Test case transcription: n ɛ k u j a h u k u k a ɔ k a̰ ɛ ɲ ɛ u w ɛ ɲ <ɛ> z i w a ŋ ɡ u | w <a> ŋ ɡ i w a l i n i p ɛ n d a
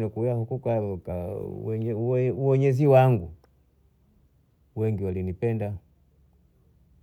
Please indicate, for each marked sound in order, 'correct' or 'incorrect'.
correct, incorrect: ɛ

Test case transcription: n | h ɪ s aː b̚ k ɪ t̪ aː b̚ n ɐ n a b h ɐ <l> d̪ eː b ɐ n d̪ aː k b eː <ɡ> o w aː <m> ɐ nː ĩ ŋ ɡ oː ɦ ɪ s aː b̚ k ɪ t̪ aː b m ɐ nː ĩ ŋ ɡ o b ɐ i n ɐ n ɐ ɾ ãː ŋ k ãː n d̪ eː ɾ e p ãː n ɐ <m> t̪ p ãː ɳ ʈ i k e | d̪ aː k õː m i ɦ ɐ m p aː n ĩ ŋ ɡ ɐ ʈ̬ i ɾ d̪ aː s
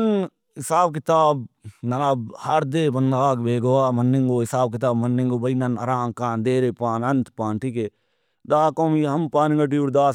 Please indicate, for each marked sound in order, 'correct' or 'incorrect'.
incorrect: ɾ, correct, correct, incorrect: n

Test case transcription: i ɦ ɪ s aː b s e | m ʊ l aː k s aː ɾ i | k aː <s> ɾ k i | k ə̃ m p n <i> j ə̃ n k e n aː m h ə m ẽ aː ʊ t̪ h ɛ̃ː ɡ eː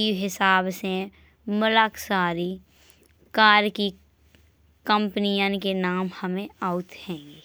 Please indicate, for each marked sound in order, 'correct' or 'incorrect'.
incorrect: none, correct

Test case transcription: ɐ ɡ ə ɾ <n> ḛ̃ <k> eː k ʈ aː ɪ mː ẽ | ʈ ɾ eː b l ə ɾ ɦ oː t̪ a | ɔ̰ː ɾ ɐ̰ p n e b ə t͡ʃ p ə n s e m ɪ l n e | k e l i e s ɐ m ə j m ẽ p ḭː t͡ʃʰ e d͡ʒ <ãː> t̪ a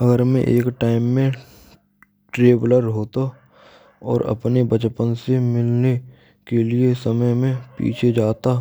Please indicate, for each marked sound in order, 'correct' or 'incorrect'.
incorrect: m, incorrect: ʔ, incorrect: aː

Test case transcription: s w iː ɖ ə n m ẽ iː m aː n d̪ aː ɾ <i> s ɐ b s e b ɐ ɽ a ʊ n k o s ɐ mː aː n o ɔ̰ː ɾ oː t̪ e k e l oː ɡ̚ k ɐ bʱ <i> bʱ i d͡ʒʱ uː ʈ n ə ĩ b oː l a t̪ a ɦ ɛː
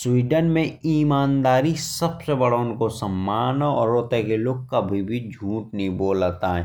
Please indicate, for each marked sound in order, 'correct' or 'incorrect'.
correct, correct

